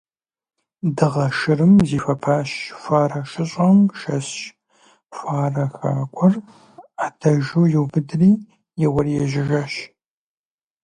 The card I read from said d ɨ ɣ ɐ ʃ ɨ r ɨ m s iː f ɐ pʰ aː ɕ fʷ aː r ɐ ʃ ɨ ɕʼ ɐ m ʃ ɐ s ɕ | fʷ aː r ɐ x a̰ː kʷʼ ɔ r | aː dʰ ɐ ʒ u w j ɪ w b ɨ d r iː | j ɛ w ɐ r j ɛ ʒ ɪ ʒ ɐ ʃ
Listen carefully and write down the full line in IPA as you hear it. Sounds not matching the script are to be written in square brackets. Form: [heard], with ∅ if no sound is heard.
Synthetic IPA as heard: d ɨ [ʁ] ɐ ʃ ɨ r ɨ m [z] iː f ɐ pʰ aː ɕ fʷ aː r ɐ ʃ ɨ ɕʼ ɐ m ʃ ɐ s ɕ | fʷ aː r ɐ x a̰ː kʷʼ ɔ r | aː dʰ ɐ ʒ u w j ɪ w b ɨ d r iː | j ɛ w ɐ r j ɛ ʒ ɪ ʒ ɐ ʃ